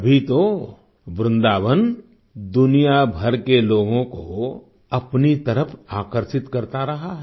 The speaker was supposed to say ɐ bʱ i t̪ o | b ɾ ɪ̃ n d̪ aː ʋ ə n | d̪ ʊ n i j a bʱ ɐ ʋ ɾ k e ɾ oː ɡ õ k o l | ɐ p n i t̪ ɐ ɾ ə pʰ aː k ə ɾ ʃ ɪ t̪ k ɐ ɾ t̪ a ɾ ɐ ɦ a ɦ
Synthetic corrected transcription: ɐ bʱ i t̪ o | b ɾ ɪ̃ n d̪ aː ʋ ə n | d̪ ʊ n i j a bʱ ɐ ɾ k e l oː ɡ õ k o | ɐ p n i t̪ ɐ ɾ ə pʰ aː k ə ɾ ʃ ɪ t̪ k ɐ ɾ t̪ a ɾ ɐ ɦ a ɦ

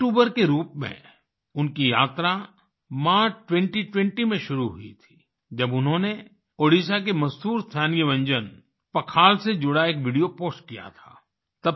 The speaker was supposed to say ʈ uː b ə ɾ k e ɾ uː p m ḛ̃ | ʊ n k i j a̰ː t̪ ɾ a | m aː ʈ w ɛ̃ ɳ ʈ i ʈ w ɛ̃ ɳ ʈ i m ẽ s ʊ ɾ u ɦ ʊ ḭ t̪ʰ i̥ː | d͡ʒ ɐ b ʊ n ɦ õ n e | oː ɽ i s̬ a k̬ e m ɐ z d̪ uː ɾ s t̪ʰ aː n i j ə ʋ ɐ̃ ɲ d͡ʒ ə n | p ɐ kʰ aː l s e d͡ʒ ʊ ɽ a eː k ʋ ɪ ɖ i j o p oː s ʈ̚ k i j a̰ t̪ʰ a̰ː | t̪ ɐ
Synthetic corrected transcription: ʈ uː b ə ɾ k e ɾ uː p m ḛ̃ | ʊ n k i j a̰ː t̪ ɾ a | m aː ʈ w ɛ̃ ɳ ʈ i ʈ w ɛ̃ ɳ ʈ i m ẽ ʃ ʊ ɾ u ɦ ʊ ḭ t̪ʰ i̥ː | d͡ʒ ɐ b ʊ n ɦ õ n e | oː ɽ i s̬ a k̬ e m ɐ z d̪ uː ɾ s t̪ʰ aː n i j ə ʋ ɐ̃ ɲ d͡ʒ ə n | p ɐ kʰ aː l s e d͡ʒ ʊ ɽ a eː k ʋ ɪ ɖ i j o p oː s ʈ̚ k i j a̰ t̪ʰ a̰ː | t̪ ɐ

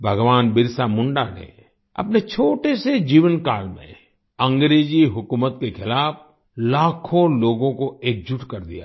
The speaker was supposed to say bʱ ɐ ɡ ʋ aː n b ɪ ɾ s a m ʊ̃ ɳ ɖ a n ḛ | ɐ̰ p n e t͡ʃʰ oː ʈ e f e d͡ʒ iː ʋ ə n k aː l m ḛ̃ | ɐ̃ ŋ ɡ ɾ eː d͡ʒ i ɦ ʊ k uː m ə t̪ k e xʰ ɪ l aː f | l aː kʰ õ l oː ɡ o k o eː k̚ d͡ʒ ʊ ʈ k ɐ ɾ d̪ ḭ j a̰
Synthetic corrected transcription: bʱ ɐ ɡ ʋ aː n b ɪ ɾ s a m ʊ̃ ɳ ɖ a n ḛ | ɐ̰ p n e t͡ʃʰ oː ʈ e s e d͡ʒ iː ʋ ə n k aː l m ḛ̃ | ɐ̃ ŋ ɡ ɾ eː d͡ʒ i ɦ ʊ k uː m ə t̪ k e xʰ ɪ l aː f | l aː kʰ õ l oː ɡ õ k o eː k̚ d͡ʒ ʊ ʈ k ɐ ɾ d̪ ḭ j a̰

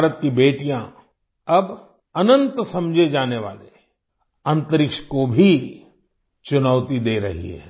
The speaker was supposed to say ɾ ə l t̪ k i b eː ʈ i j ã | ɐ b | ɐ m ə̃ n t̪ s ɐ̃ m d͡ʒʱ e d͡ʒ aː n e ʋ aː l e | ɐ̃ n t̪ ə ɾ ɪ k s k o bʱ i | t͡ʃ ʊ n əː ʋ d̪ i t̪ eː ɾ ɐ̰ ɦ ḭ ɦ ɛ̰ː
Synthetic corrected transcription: ɾ ə t̪ k i b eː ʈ i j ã | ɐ b | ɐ n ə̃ n t̪ s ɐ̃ m d͡ʒʱ e d͡ʒ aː n e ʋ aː l e | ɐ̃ n t̪ ə ɾ ɪ k ʃ k o bʱ i | t͡ʃ ʊ n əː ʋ t̪ i d̪ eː ɾ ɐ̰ ɦ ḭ ɦ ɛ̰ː

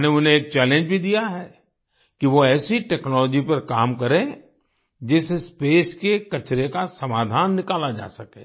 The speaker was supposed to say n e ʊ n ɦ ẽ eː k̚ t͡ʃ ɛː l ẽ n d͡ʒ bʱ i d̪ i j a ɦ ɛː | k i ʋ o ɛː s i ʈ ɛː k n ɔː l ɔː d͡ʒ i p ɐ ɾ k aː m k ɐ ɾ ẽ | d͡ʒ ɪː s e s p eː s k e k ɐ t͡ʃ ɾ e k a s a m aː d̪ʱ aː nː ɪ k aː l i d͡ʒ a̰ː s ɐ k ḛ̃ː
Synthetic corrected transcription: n e ʊ n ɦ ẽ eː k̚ t͡ʃ ɛː l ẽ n d͡ʒ bʱ i d̪ i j a ɦ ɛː | k i ʋ o ɛː s i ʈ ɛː k n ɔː l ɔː d͡ʒ i p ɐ ɾ k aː m k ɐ ɾ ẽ | d͡ʒ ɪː s e s p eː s k e k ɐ t͡ʃ ɾ e k a s ɐ m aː d̪ʱ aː nː ɪ k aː l a d͡ʒ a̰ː s ɐ k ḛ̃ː

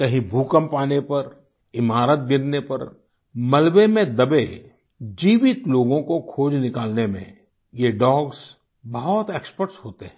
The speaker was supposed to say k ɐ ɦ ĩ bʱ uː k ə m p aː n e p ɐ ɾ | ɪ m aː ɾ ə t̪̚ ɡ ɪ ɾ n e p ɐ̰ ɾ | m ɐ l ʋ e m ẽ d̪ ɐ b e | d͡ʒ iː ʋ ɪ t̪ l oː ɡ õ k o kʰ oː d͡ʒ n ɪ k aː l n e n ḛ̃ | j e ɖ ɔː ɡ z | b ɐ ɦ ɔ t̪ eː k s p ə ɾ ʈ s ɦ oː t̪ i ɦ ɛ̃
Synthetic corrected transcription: k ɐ ɦ ĩ bʱ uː k ə m p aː n e p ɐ ɾ | ɪ m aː ɾ ə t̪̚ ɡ ɪ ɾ n e p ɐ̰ ɾ | m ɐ l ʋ e m ẽ d̪ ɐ b e | d͡ʒ iː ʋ ɪ t̪ l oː ɡ õ k o kʰ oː d͡ʒ n ɪ k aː l n e m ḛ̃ | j e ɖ ɔː ɡ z | b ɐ ɦ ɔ t̪ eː k s p ə ɾ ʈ s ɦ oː t̪ e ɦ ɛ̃

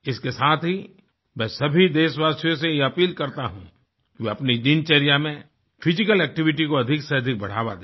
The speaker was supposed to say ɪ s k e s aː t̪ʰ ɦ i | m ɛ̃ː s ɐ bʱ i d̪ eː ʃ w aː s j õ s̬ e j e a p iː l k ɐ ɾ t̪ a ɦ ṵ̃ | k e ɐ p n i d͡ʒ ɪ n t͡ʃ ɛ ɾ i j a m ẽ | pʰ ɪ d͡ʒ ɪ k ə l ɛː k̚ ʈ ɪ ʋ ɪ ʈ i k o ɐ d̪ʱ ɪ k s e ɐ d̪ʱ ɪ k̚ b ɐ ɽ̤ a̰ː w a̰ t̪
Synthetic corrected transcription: ɪ s k e s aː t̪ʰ ɦ i | m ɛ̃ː s ɐ bʱ i d̪ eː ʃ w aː s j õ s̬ e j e ɐ p iː l k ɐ ɾ t̪ a ɦ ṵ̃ | k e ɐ p n i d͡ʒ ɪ n t͡ʃ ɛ ɾ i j a m ẽ | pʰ ɪ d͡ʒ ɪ k ə l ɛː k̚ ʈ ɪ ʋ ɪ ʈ i k o ɐ d̪ʱ ɪ k s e ɐ d̪ʱ ɪ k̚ b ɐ ɽ̤ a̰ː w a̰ d̪

